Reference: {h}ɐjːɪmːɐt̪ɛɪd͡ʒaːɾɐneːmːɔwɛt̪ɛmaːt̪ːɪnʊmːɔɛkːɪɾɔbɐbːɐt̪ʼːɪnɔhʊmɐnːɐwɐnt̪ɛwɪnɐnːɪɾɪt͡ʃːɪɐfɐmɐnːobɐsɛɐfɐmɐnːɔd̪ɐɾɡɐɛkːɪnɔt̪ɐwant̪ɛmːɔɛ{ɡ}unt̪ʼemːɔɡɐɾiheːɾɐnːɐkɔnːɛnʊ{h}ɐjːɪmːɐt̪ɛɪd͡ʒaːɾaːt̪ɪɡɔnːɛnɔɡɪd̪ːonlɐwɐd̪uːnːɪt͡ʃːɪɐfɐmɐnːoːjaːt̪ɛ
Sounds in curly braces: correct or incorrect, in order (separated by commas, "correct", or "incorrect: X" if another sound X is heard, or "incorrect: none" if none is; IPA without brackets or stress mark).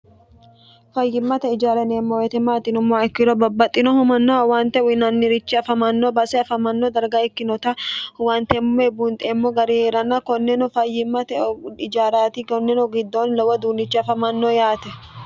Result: incorrect: f, incorrect: b, incorrect: f